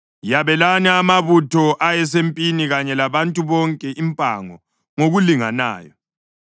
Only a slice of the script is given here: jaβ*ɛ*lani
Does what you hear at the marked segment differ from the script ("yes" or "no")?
no